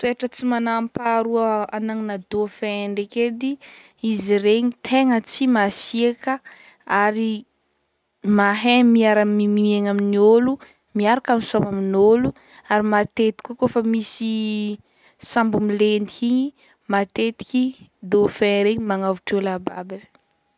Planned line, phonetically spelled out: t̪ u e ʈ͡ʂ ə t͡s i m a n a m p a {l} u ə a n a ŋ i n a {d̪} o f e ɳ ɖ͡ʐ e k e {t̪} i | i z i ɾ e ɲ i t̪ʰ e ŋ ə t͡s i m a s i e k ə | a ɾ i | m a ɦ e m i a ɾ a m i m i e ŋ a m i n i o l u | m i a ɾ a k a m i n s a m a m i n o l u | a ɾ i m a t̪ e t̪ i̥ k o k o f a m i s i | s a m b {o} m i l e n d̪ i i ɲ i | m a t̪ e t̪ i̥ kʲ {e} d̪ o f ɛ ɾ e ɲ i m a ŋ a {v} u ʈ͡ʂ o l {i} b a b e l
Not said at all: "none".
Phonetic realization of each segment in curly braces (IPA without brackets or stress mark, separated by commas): ɾ, d̪, d̪, u, i, v, a